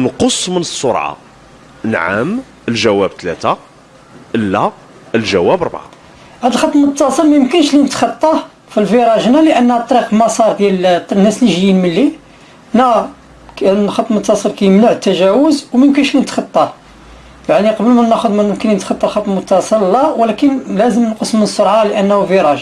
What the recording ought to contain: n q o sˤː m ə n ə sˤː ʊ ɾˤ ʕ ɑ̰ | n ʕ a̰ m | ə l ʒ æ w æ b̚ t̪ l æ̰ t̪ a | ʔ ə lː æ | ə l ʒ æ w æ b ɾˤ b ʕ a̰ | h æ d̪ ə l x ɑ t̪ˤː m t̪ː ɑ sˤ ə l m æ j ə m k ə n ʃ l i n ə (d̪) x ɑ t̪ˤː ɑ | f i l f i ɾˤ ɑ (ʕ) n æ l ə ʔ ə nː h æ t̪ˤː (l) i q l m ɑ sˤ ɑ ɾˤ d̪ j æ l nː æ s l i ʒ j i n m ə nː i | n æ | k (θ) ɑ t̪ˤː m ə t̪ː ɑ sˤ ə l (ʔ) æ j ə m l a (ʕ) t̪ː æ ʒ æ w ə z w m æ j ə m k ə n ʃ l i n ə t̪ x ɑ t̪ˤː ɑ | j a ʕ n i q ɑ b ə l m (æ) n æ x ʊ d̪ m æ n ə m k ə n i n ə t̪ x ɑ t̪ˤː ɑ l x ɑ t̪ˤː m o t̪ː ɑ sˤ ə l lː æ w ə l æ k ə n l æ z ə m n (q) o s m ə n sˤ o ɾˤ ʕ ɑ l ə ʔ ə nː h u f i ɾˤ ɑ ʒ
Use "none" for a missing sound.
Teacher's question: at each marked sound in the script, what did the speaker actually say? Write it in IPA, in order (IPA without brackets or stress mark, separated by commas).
t̪, ʒ, ɾ, x, k, ʕ, æ, q